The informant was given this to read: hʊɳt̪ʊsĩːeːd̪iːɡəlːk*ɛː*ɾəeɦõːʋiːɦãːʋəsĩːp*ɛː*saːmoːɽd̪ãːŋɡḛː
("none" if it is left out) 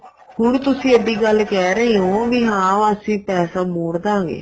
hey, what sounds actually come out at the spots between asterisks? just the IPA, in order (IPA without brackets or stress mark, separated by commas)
ɛː, ɛː